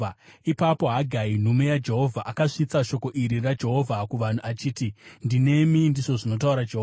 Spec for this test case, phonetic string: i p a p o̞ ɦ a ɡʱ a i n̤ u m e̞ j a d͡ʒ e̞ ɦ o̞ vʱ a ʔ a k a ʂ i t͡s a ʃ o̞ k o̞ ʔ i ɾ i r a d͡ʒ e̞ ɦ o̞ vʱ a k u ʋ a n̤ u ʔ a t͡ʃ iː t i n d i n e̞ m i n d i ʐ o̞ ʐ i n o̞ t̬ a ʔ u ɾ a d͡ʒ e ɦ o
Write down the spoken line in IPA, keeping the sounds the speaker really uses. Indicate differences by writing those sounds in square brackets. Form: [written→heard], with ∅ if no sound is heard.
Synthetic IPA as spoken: i p a p o̞ ɦ a ɡʱ a i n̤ u m e̞ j a d͡ʒ e̞ ɦ o̞ vʱ a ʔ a k a ʂ i t͡s a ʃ o̞ k o̞ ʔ i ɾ i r a d͡ʒ e̞ ɦ o̞ vʱ a k u ʋ a n̤ u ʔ a t͡ʃ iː t i n d i n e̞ m i n d i ʐ o̞ ʐ i n o̞ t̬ a [ʔ→∅] u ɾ a d͡ʒ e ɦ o